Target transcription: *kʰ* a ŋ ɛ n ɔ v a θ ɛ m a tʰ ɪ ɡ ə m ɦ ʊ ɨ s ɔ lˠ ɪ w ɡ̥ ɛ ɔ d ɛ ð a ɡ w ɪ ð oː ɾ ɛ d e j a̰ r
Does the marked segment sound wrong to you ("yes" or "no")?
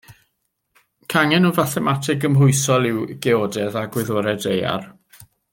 no